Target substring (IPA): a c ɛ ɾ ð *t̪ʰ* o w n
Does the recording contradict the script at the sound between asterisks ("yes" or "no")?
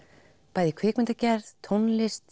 no